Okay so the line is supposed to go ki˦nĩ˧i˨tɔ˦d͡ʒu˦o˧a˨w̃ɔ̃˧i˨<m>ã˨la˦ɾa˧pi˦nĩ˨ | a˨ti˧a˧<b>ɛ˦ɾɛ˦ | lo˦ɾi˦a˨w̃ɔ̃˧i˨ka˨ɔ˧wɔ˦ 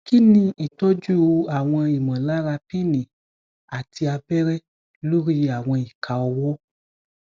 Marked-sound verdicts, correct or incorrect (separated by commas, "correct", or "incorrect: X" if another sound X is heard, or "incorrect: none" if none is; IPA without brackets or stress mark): correct, correct